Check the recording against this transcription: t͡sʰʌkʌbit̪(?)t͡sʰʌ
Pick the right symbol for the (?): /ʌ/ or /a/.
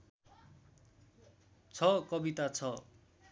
a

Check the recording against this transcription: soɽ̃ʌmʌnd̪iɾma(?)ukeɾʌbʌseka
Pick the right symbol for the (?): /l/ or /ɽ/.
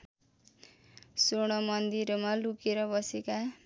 l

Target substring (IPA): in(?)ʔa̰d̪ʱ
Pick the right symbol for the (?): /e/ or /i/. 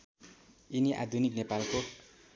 i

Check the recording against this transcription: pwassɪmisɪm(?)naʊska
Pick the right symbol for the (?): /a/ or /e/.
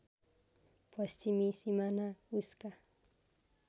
a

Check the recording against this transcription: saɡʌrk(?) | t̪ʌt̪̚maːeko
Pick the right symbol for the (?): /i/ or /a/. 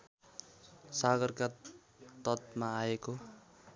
a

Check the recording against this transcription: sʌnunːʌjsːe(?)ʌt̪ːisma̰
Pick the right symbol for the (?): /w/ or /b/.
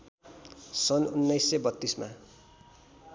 b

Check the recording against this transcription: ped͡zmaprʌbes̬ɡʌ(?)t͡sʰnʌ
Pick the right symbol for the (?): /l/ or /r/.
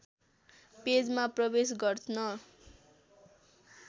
r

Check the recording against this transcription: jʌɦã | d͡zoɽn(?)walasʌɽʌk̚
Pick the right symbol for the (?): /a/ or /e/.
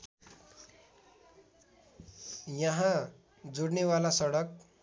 e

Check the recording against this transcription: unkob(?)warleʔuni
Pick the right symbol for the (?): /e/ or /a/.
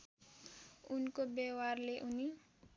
e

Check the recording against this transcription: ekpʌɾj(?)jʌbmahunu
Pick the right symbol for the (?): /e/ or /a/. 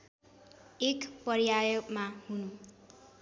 a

